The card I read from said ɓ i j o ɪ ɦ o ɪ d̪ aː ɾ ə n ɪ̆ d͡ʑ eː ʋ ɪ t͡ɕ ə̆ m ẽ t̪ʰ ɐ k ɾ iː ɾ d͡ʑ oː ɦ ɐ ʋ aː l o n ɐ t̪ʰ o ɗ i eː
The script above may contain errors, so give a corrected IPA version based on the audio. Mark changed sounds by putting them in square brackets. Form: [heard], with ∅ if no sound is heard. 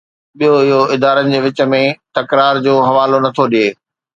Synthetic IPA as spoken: ɓ i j o ɪ ɦ o ɪ d̪ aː ɾ ə n ɪ̆ d͡ʑ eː ʋ ɪ t͡ɕ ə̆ m ẽ [t̪] ɐ k ɾ [aː] ɾ d͡ʑ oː ɦ ɐ ʋ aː l o n ɐ t̪ʰ o ɗ i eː

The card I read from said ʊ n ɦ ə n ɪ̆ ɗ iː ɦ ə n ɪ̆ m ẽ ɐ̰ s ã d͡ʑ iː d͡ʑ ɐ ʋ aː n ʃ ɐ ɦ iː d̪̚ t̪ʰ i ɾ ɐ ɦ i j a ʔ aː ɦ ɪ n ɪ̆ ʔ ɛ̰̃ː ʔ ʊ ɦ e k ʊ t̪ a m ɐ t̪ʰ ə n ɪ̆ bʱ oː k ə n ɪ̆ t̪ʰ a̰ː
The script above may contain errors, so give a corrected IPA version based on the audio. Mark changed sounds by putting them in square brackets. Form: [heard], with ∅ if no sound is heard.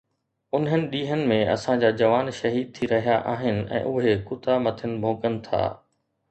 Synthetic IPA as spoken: ʊ n ɦ ə n ɪ̆ ɗ iː ɦ ə n ɪ̆ m ẽ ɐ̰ s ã d͡ʑ [aː] d͡ʑ ɐ ʋ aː n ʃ ɐ ɦ iː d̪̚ t̪ʰ i ɾ ɐ ɦ i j a ʔ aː ɦ ɪ n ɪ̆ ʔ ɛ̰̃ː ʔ ʊ ɦ e k ʊ t̪ a m ɐ t̪ʰ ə n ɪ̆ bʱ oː k ə n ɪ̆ t̪ʰ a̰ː

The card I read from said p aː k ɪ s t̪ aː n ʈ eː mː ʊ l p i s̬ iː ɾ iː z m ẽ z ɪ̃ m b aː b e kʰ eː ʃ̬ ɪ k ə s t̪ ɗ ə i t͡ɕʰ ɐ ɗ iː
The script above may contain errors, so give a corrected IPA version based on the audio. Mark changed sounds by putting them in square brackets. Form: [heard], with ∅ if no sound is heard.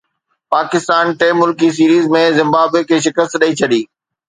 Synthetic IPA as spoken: p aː k ɪ s t̪ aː n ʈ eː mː ʊ l [k] i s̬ iː ɾ iː z m ẽ z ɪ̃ m b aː b e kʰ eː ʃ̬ ɪ k ə s t̪ ɗ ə i t͡ɕʰ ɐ ɗ iː

